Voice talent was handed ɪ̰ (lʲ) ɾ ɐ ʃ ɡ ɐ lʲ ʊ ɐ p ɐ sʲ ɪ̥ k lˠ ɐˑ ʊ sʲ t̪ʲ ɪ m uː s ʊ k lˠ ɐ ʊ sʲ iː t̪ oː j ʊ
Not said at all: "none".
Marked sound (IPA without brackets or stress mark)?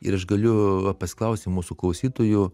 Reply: none